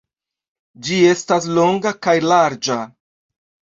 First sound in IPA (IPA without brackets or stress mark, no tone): d͡ʒ